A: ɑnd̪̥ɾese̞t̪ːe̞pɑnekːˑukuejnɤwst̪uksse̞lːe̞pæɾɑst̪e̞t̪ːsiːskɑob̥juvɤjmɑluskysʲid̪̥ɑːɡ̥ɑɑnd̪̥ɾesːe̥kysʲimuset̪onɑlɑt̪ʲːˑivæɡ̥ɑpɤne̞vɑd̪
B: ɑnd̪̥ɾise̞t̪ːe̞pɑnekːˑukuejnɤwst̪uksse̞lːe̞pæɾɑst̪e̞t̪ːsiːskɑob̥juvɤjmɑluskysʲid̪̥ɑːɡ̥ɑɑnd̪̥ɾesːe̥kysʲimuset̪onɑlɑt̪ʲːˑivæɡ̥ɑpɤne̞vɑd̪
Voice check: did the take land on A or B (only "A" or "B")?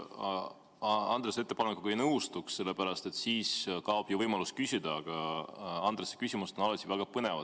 A